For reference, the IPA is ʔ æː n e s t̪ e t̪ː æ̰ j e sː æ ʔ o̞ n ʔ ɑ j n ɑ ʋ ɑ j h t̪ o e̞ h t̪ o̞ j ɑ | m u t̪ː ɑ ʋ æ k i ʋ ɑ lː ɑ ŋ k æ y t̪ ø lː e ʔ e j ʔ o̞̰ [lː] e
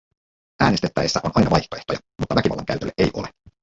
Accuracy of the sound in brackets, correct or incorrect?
incorrect